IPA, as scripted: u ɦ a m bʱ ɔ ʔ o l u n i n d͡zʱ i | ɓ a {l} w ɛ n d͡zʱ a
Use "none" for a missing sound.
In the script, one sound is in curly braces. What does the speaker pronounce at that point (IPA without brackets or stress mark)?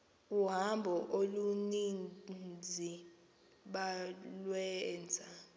l